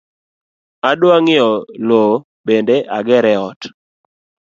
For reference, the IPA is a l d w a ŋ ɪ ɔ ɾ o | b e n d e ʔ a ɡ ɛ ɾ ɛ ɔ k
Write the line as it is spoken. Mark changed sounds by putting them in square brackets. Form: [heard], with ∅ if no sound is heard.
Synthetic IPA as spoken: a [∅] d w a ŋ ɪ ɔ [l] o | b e n d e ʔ a ɡ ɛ ɾ ɛ ɔ [t]